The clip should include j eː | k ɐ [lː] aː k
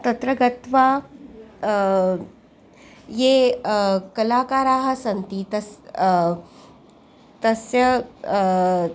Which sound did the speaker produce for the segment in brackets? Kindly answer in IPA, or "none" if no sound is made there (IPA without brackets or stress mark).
l